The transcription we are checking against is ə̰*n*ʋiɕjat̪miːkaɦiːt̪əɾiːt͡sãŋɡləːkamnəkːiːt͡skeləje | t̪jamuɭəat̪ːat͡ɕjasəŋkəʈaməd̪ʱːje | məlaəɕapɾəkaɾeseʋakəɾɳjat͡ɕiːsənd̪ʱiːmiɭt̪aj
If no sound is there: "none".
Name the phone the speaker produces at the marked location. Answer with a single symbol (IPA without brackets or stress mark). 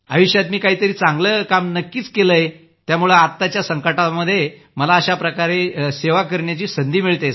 none